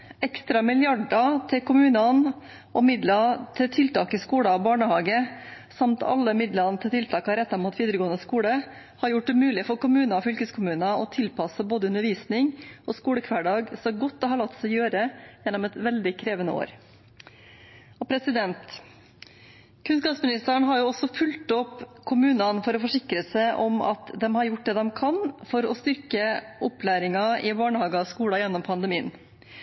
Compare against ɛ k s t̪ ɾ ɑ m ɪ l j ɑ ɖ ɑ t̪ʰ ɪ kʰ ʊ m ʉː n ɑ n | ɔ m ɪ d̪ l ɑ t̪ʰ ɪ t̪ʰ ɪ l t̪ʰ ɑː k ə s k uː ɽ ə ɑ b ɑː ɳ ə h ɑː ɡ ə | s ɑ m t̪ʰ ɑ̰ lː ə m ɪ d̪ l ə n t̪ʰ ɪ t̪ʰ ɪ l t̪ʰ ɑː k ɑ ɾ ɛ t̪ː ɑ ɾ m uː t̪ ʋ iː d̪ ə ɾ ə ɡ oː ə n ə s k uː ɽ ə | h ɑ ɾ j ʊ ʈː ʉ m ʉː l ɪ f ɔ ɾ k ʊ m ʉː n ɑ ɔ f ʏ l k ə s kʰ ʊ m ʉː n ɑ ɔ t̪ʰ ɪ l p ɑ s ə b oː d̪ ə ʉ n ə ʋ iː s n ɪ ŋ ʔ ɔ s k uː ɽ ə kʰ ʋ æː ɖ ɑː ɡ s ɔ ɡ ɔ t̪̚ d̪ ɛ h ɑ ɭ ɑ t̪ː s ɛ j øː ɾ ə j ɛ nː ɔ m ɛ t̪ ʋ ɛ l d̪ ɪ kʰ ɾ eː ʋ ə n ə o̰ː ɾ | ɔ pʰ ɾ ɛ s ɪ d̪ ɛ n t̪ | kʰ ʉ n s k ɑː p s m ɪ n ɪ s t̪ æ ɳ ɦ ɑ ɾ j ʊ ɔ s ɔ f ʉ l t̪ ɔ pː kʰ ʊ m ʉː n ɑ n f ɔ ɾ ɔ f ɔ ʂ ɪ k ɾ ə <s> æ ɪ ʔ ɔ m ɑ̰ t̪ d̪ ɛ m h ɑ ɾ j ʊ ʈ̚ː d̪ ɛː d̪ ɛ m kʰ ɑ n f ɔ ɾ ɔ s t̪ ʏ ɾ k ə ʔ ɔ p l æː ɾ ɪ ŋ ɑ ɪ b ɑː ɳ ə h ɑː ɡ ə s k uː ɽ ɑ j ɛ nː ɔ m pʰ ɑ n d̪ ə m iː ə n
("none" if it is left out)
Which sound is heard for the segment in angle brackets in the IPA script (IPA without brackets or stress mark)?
s